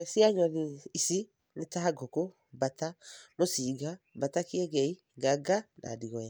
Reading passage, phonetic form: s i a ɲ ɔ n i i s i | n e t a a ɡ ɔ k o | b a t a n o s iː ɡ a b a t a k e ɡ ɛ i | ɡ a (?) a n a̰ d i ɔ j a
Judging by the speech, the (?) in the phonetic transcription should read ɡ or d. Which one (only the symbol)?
ɡ